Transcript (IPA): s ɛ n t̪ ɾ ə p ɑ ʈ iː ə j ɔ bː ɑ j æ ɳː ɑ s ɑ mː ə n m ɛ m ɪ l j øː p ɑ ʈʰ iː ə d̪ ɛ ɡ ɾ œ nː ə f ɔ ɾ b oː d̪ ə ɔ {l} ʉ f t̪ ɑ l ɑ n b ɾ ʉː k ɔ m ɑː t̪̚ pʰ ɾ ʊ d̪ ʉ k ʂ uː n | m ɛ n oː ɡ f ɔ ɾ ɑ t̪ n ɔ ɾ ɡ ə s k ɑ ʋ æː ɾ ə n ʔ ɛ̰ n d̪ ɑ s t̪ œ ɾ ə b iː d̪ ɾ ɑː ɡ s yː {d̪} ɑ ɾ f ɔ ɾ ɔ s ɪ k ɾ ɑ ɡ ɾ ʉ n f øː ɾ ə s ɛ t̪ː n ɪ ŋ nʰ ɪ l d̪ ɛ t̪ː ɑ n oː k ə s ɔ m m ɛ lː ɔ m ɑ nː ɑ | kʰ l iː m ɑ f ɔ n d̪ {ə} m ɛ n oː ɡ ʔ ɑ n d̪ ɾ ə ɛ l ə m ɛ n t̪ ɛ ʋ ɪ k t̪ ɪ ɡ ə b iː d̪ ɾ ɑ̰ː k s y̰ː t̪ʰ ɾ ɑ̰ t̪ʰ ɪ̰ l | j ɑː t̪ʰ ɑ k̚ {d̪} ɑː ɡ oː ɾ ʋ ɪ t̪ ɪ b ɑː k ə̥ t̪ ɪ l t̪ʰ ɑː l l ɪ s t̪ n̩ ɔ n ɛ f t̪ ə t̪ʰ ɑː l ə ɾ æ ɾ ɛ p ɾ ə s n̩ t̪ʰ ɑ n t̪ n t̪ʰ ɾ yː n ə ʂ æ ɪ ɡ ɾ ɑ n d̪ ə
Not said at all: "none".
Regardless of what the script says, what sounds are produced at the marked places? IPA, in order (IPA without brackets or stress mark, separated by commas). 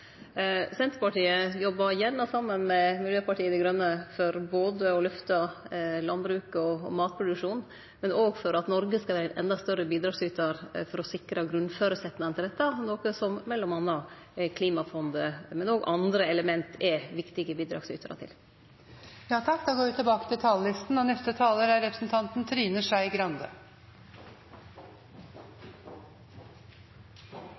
l, t̪, ə, d̪